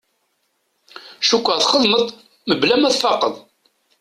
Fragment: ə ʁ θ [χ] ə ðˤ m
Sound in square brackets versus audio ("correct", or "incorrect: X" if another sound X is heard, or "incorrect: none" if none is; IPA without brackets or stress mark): correct